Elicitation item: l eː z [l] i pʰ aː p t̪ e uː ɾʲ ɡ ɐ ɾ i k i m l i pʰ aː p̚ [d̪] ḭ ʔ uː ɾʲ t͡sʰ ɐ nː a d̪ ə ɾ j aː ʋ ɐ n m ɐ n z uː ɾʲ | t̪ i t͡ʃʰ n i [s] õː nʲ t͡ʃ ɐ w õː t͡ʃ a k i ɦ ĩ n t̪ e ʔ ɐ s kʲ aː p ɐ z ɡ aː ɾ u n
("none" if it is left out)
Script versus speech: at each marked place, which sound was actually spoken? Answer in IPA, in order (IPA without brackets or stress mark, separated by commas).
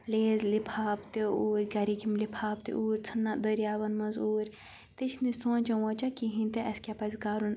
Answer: l, t̪, s